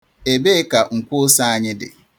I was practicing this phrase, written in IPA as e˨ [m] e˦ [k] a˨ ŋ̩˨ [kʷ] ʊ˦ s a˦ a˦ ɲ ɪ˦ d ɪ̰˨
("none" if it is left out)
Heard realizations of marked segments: b, k, kʷ

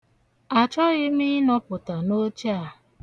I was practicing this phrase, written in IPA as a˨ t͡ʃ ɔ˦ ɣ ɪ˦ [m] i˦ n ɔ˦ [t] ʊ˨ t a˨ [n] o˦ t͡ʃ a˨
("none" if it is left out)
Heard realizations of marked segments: m, p, n

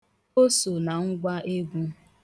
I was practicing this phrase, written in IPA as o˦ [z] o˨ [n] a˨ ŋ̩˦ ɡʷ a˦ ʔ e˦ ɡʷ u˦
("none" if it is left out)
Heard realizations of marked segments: s, n

